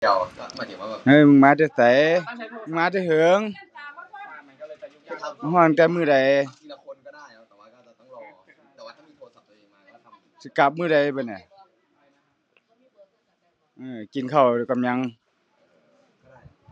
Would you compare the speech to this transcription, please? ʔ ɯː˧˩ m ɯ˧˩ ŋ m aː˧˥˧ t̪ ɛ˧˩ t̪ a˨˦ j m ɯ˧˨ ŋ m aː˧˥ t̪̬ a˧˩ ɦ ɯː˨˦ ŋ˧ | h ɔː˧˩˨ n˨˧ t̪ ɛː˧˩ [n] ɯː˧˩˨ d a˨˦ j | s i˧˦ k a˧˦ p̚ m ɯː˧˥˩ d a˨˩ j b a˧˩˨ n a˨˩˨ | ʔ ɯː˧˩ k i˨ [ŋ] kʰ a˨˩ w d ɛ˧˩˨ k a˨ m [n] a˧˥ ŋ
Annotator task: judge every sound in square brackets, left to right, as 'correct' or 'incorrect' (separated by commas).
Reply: incorrect, incorrect, incorrect